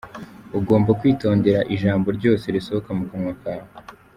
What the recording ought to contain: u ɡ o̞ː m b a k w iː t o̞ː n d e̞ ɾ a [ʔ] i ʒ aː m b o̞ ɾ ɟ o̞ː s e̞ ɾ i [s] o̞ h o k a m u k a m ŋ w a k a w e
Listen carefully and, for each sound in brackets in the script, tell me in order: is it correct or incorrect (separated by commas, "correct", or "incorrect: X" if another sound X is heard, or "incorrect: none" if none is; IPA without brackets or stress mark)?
correct, correct